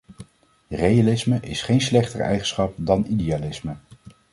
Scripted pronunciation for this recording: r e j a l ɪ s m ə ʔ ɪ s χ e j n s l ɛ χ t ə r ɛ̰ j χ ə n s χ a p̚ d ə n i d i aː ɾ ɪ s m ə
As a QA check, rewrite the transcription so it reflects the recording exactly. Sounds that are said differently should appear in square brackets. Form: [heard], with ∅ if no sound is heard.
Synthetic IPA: r e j a l ɪ s m ə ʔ ɪ s χ e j n s l ɛ χ t ə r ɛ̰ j χ ə n s χ [ɑ] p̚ d [ɑ] n i d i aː [l] ɪ s m ə